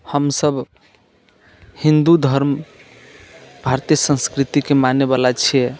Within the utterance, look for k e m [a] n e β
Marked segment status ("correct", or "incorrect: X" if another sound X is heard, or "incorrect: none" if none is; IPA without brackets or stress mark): correct